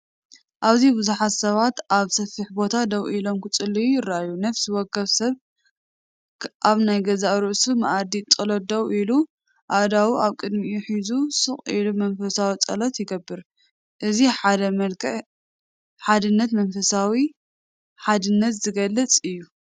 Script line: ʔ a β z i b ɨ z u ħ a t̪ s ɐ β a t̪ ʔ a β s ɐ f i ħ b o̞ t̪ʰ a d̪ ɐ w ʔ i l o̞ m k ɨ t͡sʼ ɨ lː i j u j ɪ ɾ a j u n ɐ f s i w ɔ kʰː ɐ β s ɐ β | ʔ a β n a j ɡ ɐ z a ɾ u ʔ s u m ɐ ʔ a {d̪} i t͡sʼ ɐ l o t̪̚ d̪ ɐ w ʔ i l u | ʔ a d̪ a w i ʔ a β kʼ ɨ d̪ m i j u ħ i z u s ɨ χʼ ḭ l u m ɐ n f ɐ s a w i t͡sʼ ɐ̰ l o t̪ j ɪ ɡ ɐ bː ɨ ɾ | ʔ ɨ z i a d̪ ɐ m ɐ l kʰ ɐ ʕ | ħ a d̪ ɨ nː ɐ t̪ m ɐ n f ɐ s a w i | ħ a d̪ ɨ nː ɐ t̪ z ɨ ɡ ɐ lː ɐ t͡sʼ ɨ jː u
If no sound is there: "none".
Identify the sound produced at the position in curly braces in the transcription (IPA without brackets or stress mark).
d̪